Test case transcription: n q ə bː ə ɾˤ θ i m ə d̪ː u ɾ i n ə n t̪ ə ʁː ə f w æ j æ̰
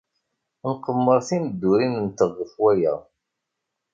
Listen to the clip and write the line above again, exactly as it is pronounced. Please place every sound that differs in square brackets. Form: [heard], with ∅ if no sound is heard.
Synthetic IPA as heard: n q ə [mː] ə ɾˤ θ i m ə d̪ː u ɾ i n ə n t̪ ə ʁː ə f w æ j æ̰